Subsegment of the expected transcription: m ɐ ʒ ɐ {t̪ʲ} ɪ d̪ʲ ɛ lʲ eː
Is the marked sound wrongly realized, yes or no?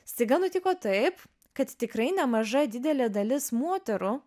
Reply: yes